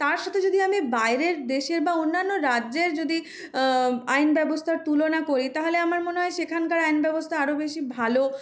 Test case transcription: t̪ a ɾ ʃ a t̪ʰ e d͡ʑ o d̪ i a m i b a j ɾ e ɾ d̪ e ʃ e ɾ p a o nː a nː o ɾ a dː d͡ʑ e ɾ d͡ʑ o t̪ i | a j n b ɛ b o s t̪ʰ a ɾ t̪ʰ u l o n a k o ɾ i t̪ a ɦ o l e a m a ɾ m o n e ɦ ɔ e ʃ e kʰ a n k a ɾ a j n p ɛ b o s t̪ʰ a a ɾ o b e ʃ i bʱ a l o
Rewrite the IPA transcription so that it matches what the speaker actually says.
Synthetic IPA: t̪ a ɾ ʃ a t̪ʰ e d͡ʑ o d̪ i a m i b a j ɾ e ɾ d̪ e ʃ e ɾ b a o nː a nː o ɾ a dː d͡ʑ e ɾ d͡ʑ o d̪ i | a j n b ɛ b o s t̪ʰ a ɾ t̪ u l o n a k o ɾ i t̪ a ɦ o l e a m a ɾ m o n e ɦ ɔ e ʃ e kʰ a n k a ɾ a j n b ɛ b o s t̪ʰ a a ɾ o b e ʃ i bʱ a l o